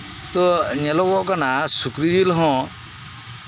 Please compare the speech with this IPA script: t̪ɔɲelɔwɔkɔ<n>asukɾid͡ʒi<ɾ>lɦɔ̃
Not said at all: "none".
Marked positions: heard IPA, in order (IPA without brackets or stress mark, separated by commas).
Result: n, none